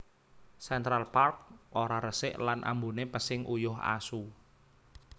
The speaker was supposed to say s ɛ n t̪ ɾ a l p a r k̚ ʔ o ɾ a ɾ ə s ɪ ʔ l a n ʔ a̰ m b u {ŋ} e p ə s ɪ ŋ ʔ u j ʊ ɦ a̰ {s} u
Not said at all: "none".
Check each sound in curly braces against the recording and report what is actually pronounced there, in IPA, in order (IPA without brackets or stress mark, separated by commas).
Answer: n, s